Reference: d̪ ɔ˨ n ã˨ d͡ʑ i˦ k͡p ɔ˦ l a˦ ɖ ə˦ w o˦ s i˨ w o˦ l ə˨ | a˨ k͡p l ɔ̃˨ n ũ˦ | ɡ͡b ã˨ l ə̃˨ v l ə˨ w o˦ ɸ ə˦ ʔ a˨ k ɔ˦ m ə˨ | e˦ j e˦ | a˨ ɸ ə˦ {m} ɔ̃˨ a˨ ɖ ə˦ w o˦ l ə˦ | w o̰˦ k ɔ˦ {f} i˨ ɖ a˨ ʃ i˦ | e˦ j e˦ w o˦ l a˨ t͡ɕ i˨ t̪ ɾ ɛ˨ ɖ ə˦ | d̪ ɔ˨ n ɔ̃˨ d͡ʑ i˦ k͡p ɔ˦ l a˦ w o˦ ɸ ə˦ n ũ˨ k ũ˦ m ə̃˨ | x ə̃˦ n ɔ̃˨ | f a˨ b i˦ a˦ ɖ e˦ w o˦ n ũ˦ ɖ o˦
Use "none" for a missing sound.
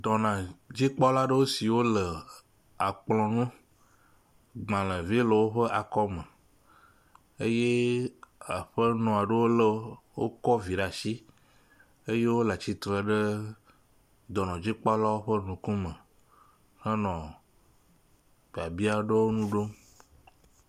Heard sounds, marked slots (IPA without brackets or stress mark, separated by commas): n, v